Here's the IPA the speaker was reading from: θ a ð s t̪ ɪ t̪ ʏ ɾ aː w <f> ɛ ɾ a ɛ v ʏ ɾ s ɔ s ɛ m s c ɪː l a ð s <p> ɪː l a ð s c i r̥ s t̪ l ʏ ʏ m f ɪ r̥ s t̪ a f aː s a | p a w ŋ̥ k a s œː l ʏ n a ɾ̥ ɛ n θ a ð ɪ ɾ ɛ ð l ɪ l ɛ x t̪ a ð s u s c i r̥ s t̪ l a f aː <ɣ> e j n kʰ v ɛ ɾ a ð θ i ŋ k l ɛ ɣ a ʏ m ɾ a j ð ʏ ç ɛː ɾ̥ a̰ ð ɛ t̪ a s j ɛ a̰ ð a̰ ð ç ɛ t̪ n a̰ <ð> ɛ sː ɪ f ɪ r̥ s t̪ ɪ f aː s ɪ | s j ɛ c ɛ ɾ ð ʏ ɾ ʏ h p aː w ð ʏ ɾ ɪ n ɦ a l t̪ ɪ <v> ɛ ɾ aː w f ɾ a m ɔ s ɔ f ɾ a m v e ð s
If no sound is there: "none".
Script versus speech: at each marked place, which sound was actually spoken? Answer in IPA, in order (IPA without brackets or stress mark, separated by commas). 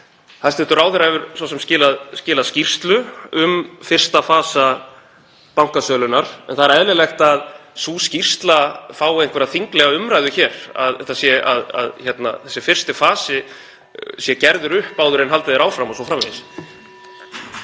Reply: θ, c, w, θ, ð